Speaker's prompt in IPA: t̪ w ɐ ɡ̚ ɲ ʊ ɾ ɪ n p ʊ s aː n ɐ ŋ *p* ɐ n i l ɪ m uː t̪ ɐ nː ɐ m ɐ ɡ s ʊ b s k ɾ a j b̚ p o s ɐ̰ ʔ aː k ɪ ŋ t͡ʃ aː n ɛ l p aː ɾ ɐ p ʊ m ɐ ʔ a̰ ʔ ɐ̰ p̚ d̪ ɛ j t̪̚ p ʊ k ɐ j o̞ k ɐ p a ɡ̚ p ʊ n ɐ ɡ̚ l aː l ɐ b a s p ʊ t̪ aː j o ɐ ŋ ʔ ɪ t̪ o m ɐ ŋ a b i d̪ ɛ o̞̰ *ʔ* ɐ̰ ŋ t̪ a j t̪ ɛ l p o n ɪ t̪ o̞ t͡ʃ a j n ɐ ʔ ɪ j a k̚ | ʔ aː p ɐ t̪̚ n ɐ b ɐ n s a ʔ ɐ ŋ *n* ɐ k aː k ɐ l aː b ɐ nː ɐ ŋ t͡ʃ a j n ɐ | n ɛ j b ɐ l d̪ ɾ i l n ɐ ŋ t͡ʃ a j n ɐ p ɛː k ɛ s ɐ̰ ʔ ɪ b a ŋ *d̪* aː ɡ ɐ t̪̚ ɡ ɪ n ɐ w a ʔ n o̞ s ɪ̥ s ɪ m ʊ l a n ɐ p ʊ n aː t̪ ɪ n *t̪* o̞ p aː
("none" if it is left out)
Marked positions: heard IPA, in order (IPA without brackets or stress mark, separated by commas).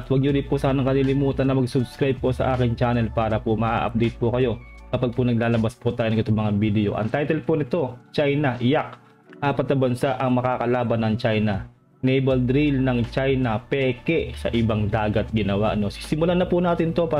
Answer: k, ʔ, m, d̪, t̪